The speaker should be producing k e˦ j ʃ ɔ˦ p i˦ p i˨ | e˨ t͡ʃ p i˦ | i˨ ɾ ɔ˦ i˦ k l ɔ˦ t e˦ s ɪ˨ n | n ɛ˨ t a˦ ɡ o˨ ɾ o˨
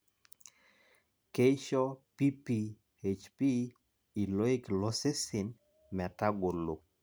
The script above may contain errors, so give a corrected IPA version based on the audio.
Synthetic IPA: k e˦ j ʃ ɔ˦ p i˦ p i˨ | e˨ t͡ʃ p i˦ | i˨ l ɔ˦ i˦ k l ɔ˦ s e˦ s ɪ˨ n | m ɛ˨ t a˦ ɡ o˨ l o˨